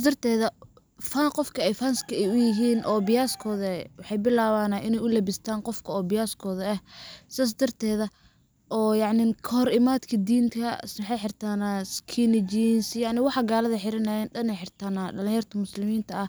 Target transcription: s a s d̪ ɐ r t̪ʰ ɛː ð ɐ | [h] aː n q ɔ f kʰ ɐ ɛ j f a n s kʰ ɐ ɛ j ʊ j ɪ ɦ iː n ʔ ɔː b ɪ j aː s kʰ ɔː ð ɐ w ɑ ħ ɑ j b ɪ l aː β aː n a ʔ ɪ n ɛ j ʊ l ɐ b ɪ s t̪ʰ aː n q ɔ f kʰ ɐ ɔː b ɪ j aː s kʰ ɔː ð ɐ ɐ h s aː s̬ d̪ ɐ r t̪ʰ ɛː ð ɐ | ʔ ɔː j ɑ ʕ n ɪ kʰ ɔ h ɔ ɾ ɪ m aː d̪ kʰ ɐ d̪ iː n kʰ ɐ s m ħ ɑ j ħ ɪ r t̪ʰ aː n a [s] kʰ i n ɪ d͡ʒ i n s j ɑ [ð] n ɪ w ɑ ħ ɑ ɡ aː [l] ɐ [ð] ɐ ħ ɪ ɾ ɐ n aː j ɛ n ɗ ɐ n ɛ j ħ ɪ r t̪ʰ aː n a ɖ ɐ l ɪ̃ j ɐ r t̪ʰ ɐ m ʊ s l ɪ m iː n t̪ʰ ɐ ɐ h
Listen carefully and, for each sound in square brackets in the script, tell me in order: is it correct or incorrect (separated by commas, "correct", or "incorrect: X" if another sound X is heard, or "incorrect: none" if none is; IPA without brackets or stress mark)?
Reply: incorrect: f, correct, incorrect: ʕ, correct, correct